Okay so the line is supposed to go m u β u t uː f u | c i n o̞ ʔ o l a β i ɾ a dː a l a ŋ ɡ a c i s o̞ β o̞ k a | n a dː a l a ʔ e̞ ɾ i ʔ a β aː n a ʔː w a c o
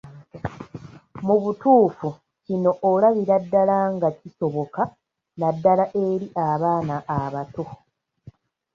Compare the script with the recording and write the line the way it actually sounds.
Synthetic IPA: m u β u t uː f u | c i n o̞ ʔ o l a β i ɾ a dː a l a ŋ ɡ a c i s o̞ β o̞ k a | n a dː a l a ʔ e̞ ɾ i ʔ a β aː n a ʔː β a t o